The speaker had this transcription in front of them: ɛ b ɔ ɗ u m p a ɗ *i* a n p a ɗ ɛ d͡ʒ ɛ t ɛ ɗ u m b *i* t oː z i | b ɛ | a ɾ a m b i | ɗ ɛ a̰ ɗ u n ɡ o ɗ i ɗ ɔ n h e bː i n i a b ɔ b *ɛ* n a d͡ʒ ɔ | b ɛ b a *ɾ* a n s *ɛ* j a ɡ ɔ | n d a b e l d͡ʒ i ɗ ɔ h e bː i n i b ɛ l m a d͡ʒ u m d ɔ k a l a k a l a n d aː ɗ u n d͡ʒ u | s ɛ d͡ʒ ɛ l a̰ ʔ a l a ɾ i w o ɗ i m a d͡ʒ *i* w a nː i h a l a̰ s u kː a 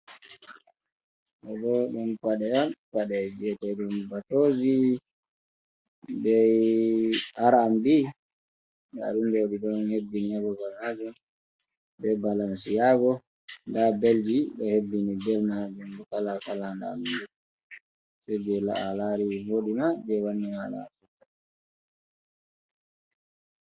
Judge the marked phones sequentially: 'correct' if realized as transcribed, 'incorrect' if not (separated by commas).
incorrect, incorrect, incorrect, incorrect, incorrect, incorrect